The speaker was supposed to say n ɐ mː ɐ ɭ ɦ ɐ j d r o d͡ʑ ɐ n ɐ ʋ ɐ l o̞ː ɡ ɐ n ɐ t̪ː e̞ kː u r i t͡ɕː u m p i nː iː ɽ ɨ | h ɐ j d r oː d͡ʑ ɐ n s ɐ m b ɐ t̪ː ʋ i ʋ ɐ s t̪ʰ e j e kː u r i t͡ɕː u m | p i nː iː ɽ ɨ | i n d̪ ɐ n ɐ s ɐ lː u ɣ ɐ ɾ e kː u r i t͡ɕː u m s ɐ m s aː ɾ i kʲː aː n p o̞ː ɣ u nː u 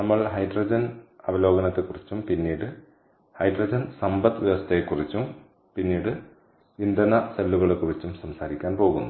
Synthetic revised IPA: n ɐ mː ɐ ɭ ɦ ɐ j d r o d͡ʑ ɐ n ɐ ʋ ɐ l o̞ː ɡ ɐ n ɐ t̪ː e̞ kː u r i t͡ɕː u m p i nː iː ɽ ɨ | h ɐ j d r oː d͡ʑ ɐ n s ɐ m b ɐ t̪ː ʋ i ʋ ɐ s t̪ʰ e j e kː u r i t͡ɕː u m | p i nː iː ɽ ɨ | i n d̪ ɐ n ɐ s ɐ lː u ɣ ɐ ɭ e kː u r i t͡ɕː u m s ɐ m s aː ɾ i kʲː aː n p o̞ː ɣ u nː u